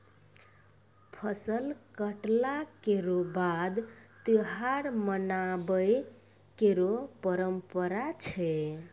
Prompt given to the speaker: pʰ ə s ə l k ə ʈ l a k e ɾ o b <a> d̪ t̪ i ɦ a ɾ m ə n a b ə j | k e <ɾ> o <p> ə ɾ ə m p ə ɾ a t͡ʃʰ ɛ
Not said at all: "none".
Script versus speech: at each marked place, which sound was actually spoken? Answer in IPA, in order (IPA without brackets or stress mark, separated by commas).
a, ɾ, p